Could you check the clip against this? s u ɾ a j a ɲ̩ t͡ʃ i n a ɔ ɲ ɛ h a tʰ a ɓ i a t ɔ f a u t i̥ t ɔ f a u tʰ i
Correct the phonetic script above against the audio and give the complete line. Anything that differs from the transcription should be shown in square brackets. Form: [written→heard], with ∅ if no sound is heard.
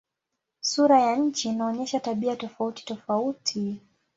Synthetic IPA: s u ɾ a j a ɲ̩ t͡ʃ i n a ɔ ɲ ɛ [h→ʃ] a [tʰ→t] a ɓ i a t ɔ f a u t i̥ t ɔ f a u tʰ i